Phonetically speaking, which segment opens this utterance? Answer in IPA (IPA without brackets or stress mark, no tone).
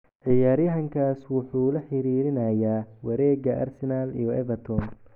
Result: ʕ